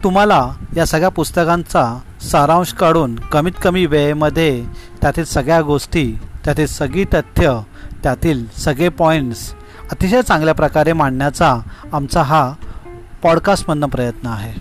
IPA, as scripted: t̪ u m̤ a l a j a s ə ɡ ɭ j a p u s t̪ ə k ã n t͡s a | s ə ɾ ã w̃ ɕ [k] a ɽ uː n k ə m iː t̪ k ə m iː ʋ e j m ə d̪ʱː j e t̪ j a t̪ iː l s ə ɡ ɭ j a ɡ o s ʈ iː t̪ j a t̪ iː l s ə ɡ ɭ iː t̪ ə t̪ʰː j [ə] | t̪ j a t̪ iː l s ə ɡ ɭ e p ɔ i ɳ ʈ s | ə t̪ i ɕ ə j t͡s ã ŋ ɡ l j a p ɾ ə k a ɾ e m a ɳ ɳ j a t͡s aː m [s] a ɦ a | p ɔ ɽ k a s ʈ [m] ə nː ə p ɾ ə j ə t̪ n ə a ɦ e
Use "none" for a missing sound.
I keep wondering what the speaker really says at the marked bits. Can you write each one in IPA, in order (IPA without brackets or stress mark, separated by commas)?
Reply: k, ə, t͡s, m